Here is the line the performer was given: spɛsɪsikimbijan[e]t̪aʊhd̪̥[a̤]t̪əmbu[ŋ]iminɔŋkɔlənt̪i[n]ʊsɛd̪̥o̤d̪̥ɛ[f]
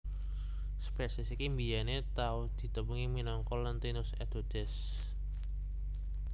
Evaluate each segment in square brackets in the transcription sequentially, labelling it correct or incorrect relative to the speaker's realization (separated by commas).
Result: correct, incorrect, correct, correct, incorrect